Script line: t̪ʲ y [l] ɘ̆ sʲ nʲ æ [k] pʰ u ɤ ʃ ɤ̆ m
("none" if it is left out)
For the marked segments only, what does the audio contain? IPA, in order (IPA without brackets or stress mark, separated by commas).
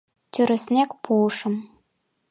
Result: ɾ, k